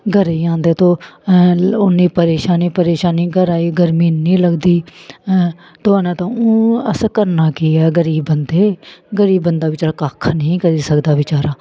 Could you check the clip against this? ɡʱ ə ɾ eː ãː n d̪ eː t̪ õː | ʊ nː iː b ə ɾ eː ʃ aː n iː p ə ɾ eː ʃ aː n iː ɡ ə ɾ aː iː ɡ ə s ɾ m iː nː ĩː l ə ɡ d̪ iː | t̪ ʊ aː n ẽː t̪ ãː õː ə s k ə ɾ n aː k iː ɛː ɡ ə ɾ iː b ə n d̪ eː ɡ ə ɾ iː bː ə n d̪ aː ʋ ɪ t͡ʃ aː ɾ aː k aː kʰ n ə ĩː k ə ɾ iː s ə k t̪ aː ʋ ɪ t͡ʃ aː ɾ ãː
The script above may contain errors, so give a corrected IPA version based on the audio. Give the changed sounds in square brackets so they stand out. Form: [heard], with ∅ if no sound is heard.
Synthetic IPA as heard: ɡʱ ə ɾ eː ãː n d̪ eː t̪ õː | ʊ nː iː [p] ə ɾ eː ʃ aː n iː p ə ɾ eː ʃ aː n iː ɡ ə ɾ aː iː ɡ ə [∅] ɾ m iː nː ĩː l ə ɡ d̪ iː | t̪ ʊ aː n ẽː t̪ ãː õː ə s k ə ɾ n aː k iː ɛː ɡ ə ɾ iː b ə n d̪ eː ɡ ə ɾ iː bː ə n d̪ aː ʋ ɪ t͡ʃ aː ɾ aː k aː kʰ n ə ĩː k ə ɾ iː s ə k [d̪] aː ʋ ɪ t͡ʃ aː ɾ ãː